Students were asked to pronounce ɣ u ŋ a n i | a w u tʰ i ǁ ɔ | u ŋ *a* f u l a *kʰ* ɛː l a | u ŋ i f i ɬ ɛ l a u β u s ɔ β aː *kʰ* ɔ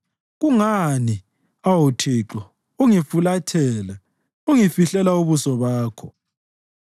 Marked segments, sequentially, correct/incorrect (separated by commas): incorrect, incorrect, correct